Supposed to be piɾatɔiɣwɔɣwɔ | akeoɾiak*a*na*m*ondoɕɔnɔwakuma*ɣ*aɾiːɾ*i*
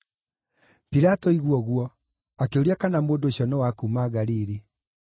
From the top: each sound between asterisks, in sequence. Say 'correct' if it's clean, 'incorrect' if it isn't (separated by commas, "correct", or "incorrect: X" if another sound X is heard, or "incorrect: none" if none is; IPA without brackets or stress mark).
correct, correct, correct, correct